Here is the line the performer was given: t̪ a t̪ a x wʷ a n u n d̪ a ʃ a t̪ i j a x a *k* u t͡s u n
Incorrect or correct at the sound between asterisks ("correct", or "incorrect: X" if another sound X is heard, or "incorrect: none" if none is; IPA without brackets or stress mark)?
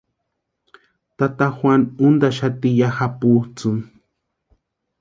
incorrect: p